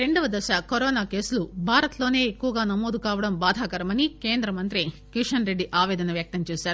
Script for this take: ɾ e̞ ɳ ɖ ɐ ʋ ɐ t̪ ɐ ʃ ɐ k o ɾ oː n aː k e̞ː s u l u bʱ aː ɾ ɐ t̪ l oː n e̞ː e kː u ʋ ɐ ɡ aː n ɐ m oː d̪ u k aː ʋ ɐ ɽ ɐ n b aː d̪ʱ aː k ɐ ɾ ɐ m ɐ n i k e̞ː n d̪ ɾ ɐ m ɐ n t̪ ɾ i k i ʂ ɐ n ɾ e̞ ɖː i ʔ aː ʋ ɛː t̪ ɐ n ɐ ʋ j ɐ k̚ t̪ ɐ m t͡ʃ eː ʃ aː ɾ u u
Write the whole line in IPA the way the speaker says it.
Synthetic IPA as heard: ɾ e̞ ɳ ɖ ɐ ʋ ɐ d̪ ɐ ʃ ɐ k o ɾ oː n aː k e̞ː s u l u bʱ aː ɾ ɐ t̪ l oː n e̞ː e kː u ʋ ɐ ɡ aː n ɐ m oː d̪ u k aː ʋ ɐ ɽ ɐ m b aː d̪ʱ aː k ɐ ɾ ɐ m ɐ n i k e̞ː n d̪ ɾ ɐ m ɐ n t̪ ɾ i k i ʂ ɐ n ɾ e̞ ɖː i ʔ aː ʋ ɛː d̪ ɐ n ɐ ʋ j ɐ k̚ t̪ ɐ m t͡ʃ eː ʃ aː ɾ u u